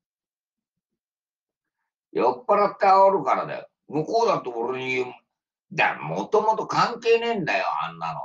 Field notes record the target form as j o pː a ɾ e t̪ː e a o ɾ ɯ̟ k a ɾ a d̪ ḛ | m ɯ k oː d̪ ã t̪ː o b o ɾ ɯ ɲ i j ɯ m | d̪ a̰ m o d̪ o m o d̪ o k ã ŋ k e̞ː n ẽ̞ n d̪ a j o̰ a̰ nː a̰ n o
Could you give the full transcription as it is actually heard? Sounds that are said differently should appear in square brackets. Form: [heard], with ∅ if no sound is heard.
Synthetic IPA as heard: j o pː a ɾ [a] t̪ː e a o ɾ ɯ̟ k a ɾ a d̪ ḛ | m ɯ k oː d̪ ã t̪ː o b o ɾ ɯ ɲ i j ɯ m | d̪ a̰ m o [t̪] o m o [t̪] o k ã ŋ k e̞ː n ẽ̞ n d̪ a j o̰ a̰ nː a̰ n o